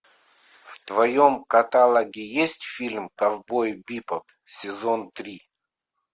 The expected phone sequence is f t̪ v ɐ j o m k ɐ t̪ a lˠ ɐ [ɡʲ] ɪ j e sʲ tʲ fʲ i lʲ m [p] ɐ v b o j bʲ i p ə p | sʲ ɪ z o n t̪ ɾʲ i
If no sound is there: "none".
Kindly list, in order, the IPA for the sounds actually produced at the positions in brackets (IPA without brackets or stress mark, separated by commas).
ɡʲ, k